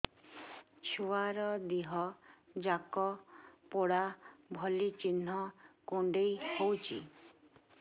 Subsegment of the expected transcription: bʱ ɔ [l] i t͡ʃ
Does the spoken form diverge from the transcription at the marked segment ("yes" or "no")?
no